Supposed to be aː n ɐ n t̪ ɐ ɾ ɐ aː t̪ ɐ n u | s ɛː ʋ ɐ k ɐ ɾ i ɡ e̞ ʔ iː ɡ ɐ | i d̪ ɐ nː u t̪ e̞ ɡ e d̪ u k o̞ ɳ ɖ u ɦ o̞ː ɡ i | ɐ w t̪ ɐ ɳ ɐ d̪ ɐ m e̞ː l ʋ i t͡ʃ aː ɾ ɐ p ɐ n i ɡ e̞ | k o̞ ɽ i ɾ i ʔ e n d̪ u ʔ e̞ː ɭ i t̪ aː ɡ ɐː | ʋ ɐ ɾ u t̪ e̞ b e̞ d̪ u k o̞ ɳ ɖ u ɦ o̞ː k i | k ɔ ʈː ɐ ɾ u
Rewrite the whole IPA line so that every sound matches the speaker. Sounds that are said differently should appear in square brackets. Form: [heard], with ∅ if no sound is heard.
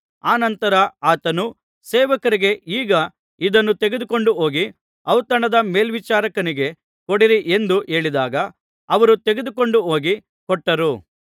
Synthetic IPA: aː n ɐ n t̪ ɐ ɾ ɐ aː t̪ ɐ n u | s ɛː ʋ ɐ k ɐ ɾ i ɡ e̞ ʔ iː ɡ ɐ | i d̪ ɐ nː u t̪ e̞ ɡ e d̪ u k o̞ ɳ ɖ u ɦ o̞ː ɡ i | ɐ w t̪ ɐ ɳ ɐ d̪ ɐ m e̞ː l ʋ i t͡ʃ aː ɾ ɐ [k] ɐ n i ɡ e̞ | k o̞ ɽ i ɾ i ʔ e n d̪ u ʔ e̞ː ɭ i [d̪] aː ɡ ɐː | ʋ ɐ ɾ u t̪ e̞ [ɡ] e̞ d̪ u k o̞ ɳ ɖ u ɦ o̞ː [ɡ] i | k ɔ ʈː ɐ ɾ u

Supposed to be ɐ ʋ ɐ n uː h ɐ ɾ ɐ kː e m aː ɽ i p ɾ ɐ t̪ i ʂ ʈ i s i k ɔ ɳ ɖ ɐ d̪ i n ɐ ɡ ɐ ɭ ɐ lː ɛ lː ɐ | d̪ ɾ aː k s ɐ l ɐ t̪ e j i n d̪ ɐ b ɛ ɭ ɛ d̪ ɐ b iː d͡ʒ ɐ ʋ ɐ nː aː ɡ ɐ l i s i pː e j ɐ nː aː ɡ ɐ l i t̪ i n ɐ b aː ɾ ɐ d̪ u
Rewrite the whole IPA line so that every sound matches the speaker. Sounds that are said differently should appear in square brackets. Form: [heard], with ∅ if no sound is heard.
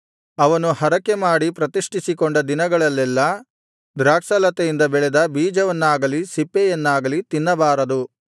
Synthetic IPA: ɐ ʋ ɐ n [u] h ɐ ɾ ɐ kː e m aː ɽ i p ɾ ɐ t̪ i ʂ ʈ i s i k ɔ ɳ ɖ ɐ d̪ i n ɐ ɡ ɐ ɭ ɐ lː ɛ lː ɐ | d̪ ɾ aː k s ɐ l ɐ t̪ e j i n d̪ ɐ b ɛ ɭ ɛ d̪ ɐ b iː d͡ʒ ɐ ʋ ɐ nː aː ɡ ɐ l i s i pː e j ɐ nː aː ɡ ɐ l i t̪ i [nː] ɐ b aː ɾ ɐ d̪ u

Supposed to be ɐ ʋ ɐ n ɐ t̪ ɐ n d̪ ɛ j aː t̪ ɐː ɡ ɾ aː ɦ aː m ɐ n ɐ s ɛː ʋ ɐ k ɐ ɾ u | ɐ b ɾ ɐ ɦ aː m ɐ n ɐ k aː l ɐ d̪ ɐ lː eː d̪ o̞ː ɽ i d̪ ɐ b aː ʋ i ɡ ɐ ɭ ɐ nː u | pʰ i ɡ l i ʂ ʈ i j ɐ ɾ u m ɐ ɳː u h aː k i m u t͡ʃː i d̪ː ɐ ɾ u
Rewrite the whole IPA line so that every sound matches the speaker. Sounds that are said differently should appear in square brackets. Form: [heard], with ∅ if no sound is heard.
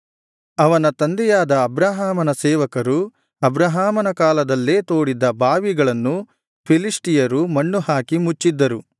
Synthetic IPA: ɐ ʋ ɐ n ɐ t̪ ɐ n d̪ ɛ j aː [d̪] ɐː [b] ɾ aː ɦ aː m ɐ n ɐ s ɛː ʋ ɐ k ɐ ɾ u | ɐ b ɾ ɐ ɦ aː m ɐ n ɐ k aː l ɐ d̪ ɐ lː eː [t̪] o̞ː ɽ i d̪ ɐ b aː ʋ i ɡ ɐ ɭ ɐ nː u | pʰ i [∅] l i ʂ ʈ i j ɐ ɾ u m ɐ ɳː u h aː k i m u t͡ʃː i d̪ː ɐ ɾ u

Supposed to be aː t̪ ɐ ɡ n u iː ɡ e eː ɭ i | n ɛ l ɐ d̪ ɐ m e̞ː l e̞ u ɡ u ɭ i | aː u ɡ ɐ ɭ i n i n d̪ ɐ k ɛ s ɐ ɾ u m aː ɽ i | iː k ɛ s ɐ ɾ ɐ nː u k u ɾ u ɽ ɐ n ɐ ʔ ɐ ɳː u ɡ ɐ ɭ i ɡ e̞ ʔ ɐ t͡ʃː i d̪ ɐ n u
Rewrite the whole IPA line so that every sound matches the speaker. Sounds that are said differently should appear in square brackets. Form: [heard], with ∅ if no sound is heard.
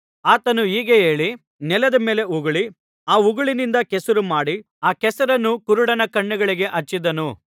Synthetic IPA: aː t̪ ɐ [∅] n u iː ɡ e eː ɭ i | n ɛ l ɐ d̪ ɐ m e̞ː l e̞ u ɡ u ɭ i | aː u ɡ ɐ ɭ i n i n d̪ ɐ k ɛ s ɐ ɾ u m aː ɽ i | [aː] k ɛ s ɐ ɾ ɐ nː u k u ɾ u ɽ ɐ n ɐ [k] ɐ ɳː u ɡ ɐ ɭ i ɡ e̞ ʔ ɐ t͡ʃː i d̪ ɐ n u

